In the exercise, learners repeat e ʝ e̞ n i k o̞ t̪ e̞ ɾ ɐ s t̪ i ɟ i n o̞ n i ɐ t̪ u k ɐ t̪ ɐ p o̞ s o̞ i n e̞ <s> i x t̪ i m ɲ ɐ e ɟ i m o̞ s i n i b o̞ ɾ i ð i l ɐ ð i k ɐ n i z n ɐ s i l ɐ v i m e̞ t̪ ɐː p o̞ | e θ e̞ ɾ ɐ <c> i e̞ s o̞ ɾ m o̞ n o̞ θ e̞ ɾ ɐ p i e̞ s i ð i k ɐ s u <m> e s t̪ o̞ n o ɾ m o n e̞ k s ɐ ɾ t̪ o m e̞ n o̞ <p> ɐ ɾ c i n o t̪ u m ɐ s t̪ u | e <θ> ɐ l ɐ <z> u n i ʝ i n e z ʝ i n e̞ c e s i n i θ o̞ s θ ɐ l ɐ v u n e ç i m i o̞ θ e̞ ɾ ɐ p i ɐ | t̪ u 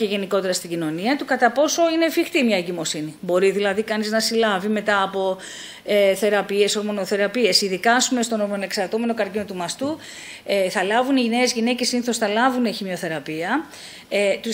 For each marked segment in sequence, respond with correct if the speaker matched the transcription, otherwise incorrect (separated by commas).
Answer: incorrect, incorrect, correct, incorrect, correct, incorrect